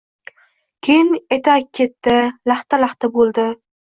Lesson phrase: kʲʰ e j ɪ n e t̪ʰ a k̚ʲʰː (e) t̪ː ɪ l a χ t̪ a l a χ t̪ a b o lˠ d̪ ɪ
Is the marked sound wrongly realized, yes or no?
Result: no